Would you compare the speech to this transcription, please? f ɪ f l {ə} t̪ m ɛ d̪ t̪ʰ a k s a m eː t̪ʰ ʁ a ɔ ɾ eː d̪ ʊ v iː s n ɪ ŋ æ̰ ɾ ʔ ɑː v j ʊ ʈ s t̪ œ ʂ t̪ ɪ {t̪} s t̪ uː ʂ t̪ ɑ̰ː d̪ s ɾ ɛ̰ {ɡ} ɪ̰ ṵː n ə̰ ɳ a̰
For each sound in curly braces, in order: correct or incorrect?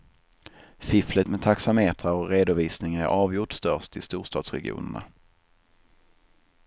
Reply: correct, incorrect: none, correct

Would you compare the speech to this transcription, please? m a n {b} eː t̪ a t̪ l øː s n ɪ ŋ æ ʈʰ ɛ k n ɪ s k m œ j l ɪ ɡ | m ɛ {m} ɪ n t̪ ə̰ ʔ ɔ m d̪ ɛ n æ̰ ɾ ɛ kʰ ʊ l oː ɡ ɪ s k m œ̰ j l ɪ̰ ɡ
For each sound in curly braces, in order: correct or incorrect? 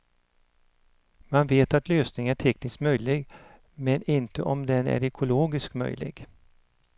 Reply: incorrect: v, incorrect: n

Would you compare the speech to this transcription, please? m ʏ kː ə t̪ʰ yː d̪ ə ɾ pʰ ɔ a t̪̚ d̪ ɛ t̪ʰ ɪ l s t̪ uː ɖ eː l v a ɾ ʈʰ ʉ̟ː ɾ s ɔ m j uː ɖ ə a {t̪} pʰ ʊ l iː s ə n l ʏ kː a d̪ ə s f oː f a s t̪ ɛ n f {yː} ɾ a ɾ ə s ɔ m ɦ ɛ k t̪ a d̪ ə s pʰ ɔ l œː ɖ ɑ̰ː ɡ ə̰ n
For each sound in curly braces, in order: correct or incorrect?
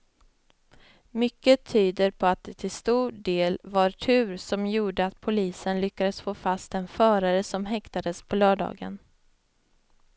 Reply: correct, incorrect: œː

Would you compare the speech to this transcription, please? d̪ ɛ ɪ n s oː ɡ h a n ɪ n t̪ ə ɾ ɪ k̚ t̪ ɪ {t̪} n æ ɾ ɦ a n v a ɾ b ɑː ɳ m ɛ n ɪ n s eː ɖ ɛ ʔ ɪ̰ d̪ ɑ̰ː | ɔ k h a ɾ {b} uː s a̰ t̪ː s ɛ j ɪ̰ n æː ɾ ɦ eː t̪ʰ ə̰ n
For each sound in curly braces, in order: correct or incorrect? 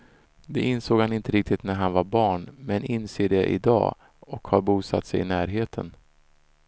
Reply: correct, correct

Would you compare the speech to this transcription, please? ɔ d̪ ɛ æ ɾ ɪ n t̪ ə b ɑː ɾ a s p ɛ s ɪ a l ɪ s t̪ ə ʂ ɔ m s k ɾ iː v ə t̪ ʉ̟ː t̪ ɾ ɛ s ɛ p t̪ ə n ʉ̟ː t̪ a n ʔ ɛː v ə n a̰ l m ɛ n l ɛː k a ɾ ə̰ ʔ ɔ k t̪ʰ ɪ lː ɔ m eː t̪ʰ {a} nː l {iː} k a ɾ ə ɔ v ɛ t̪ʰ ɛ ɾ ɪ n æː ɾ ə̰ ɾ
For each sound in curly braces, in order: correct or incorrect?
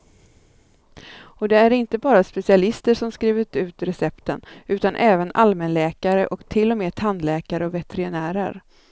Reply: correct, incorrect: ɛː

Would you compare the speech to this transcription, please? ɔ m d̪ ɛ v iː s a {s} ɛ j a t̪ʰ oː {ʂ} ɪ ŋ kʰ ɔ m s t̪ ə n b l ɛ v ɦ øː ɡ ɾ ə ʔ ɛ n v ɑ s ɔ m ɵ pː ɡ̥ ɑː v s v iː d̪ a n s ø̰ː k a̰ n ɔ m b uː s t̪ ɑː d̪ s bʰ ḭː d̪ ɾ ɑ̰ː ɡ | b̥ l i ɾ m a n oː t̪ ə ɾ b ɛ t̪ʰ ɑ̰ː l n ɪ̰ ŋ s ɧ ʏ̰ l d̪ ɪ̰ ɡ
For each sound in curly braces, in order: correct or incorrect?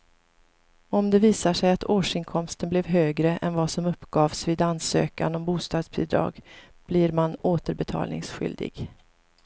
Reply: incorrect: ʂ, correct

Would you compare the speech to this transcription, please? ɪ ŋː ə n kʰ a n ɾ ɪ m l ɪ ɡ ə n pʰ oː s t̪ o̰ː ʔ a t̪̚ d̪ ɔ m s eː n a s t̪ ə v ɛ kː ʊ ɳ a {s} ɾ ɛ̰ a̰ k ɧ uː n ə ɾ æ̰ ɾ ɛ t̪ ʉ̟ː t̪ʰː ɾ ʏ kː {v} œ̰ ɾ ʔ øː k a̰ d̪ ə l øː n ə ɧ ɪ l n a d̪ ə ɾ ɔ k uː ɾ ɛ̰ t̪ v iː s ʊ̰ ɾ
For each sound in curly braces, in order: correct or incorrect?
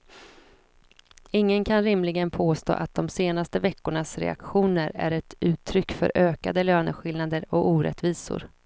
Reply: correct, incorrect: f

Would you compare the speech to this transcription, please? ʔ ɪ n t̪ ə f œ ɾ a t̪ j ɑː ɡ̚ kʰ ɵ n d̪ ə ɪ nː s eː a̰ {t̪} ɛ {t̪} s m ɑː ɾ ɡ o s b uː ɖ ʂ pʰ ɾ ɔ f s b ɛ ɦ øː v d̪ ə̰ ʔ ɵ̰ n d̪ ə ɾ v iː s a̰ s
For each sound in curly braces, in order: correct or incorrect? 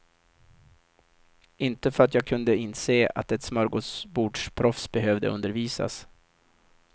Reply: correct, correct

